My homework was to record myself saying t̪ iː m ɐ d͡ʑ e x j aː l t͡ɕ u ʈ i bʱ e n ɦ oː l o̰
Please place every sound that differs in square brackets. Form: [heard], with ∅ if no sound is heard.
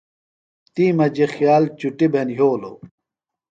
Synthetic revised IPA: t̪ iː m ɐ d͡ʑ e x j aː l t͡ɕ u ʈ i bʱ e n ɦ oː l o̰